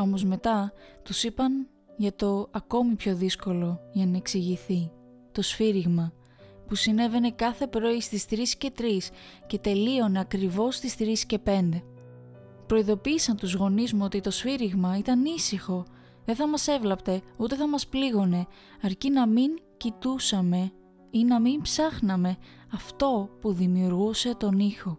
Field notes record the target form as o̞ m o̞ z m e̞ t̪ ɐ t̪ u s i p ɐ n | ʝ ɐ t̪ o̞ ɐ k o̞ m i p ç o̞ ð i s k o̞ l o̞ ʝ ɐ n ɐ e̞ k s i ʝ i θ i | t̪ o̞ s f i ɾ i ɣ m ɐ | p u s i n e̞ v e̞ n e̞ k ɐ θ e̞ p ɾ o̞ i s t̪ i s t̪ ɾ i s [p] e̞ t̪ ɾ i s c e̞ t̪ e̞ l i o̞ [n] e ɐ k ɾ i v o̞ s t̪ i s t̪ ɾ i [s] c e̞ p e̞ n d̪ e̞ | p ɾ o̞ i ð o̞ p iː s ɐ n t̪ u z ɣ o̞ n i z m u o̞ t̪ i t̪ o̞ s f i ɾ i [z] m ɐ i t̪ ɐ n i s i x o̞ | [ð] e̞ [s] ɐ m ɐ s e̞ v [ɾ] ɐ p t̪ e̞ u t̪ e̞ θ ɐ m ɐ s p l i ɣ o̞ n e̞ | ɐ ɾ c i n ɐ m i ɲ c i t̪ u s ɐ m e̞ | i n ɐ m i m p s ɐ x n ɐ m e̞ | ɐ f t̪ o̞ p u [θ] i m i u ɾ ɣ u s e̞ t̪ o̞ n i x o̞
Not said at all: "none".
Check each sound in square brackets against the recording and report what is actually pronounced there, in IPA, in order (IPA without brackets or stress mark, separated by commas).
c, n, s, ɣ, ð, θ, l, ð